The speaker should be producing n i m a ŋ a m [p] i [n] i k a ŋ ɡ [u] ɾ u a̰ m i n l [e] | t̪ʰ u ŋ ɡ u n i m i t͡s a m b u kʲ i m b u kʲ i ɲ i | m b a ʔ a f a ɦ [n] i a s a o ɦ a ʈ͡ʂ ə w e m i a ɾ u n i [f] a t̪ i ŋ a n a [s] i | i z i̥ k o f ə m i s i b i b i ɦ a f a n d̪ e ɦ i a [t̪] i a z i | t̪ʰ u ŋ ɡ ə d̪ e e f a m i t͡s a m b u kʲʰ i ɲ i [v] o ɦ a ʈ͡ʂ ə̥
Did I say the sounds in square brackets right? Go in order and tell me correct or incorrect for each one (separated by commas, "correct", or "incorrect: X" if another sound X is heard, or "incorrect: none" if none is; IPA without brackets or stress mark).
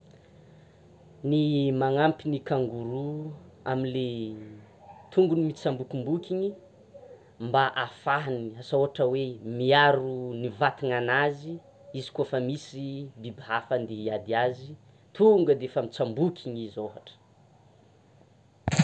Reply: correct, correct, correct, correct, correct, incorrect: v, incorrect: z, incorrect: d̪, incorrect: z